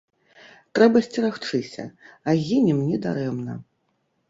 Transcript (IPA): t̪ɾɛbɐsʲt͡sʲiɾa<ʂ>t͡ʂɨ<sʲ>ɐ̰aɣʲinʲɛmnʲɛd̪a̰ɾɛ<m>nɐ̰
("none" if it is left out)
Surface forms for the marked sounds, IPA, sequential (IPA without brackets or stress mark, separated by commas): x, sʲ, m